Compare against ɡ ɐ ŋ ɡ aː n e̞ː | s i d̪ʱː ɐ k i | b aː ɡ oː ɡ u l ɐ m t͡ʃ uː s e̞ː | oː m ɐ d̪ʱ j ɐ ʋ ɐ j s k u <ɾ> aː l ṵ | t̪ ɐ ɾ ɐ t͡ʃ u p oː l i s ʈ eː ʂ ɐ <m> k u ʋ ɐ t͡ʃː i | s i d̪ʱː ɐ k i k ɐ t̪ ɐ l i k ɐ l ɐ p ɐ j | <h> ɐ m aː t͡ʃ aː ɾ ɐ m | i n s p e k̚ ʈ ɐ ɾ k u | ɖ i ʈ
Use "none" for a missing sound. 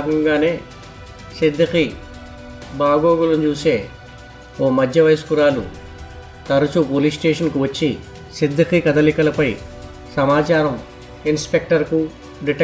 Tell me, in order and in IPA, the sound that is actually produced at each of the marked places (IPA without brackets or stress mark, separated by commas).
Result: ɾ, n, s